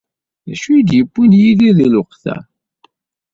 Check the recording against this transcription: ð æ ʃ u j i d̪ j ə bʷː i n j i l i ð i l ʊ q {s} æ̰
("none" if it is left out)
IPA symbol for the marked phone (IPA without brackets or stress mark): θ